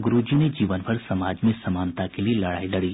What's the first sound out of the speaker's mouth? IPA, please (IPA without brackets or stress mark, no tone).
ɡ